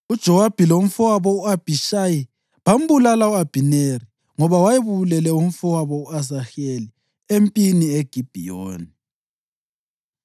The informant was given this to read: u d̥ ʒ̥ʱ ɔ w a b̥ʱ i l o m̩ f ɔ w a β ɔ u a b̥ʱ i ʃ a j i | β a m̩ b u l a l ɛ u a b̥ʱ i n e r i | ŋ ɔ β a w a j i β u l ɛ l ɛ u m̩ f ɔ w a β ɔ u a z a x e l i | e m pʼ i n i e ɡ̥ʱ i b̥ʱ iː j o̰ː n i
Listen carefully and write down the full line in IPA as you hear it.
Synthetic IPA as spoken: u d̥ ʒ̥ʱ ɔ w a b̥ʱ i l o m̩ f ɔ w a β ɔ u a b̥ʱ i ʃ a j i | β a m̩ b u l a l a u a b̥ʱ i n e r i | ŋ ɔ β a w a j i β u l ɛ l ɛ u m̩ f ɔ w a β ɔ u a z a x e l i | e m pʼ i n i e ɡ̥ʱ i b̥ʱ i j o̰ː n i